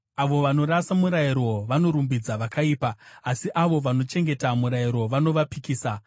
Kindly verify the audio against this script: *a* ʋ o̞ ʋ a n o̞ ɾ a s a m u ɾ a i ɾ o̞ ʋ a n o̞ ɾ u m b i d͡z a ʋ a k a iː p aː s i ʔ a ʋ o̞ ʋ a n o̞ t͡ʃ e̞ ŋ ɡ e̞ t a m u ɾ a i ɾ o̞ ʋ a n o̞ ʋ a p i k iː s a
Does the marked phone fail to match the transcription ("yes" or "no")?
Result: no